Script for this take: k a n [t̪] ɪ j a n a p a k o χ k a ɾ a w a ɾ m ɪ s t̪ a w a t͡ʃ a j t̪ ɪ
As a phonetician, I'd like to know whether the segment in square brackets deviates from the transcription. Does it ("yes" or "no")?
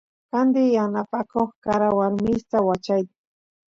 yes